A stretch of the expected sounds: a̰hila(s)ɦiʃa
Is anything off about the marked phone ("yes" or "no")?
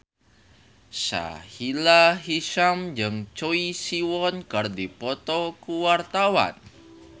yes